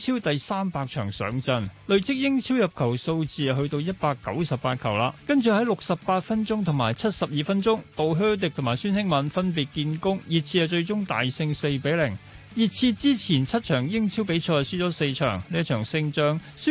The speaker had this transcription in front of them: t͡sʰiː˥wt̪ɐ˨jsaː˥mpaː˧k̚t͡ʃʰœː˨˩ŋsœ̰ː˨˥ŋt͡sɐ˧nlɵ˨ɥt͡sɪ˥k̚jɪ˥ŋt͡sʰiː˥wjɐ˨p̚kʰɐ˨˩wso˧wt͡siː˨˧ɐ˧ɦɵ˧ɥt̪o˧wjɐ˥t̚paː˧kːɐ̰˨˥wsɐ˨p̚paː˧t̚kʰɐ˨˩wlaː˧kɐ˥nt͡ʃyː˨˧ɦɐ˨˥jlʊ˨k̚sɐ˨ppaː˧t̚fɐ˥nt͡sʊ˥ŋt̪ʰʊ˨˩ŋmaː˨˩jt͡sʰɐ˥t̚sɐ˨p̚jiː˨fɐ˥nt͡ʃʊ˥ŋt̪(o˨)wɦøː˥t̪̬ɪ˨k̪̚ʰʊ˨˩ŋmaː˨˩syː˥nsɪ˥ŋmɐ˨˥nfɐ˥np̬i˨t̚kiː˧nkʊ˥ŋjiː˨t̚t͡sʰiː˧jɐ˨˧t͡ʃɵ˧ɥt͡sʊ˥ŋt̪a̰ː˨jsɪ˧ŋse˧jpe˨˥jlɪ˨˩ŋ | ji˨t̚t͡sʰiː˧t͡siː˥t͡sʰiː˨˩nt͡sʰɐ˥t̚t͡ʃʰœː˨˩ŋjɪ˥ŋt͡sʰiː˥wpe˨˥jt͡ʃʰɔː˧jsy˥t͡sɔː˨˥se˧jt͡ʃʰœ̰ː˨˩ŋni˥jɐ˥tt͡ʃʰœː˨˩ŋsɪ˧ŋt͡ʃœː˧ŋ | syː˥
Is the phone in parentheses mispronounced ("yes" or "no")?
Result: no